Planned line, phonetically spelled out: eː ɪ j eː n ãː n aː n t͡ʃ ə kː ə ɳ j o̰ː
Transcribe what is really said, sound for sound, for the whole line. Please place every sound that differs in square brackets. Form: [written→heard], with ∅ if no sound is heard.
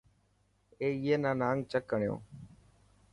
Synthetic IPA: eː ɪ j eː n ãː n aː [n→ŋ] t͡ʃ ə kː ə ɳ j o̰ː